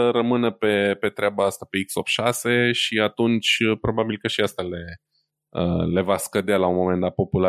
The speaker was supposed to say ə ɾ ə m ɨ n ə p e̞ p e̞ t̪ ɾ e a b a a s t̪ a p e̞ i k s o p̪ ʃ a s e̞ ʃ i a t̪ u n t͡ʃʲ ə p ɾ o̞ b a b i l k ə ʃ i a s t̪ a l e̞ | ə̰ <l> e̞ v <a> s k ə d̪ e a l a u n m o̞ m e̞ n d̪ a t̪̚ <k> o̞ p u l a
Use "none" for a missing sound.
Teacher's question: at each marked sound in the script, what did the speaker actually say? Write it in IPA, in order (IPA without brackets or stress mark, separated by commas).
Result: l, a, p